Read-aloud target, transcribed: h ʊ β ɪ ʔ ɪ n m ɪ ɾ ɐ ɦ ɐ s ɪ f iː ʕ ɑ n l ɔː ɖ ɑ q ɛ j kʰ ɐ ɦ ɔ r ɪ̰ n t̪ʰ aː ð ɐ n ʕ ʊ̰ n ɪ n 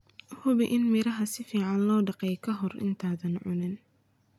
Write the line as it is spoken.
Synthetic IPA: h ʊ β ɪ ʔ ɪ n m ɪ ɾ ɐ ɦ ɐ s ɪ f iː ʕ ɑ n l ɔː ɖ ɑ q ɛ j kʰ ɐ ɦ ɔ r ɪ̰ n t̪ʰ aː ð ɐ n ʕ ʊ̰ n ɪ n